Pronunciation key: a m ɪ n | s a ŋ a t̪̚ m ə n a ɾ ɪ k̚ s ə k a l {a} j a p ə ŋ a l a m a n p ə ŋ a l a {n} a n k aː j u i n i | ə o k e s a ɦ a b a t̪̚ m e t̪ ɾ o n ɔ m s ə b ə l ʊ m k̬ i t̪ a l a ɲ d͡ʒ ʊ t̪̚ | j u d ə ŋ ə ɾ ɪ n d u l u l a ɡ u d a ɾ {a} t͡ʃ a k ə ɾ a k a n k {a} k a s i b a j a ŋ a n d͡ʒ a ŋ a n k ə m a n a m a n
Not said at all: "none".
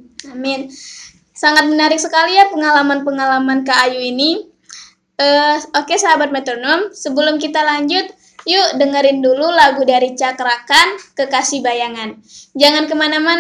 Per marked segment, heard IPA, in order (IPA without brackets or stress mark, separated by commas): i, m, i, ə